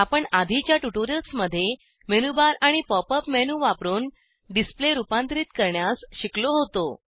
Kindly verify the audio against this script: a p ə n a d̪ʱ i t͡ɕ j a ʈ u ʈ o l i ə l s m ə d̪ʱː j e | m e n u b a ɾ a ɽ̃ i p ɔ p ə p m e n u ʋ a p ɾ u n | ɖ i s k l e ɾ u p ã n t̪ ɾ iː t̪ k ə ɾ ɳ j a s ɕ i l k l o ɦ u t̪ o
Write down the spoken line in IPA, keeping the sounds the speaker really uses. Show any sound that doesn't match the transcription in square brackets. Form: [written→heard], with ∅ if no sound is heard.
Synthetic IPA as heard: a p ə [n→ɳ] a d̪ʱ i t͡ɕ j a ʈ u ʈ o [l→ɾ] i ə l s m ə d̪ʱː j e | m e n u b a ɾ a ɽ̃ i p ɔ p ə p m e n u ʋ a p ɾ [u→uː] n | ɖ i s [k→p] l e ɾ u p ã n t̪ ɾ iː t̪ k ə ɾ ɳ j a s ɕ i [l→∅] k l o ɦ [u→o] t̪ o